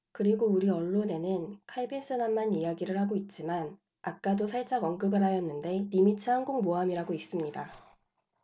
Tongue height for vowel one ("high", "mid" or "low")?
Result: high